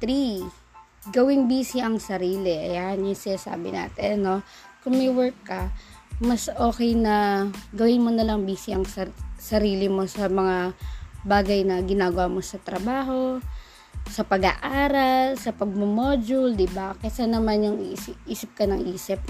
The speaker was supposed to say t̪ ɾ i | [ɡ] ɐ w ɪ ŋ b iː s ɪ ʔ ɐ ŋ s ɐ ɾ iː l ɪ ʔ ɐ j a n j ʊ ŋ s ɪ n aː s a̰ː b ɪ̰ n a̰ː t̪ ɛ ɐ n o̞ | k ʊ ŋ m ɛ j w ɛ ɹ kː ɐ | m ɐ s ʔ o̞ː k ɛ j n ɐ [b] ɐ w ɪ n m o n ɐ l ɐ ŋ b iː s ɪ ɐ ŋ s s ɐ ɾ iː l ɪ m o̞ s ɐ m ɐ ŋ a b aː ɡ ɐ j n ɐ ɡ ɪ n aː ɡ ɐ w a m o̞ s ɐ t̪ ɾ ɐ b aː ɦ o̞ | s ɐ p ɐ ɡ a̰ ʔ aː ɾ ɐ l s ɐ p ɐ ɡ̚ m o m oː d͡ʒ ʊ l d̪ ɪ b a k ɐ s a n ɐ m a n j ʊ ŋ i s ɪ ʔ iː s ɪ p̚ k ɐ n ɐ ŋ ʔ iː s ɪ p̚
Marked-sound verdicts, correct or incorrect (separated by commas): correct, incorrect